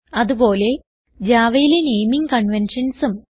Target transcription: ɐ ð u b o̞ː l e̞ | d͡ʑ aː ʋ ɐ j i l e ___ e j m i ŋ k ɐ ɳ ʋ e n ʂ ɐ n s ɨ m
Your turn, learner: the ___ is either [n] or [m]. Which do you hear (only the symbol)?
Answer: n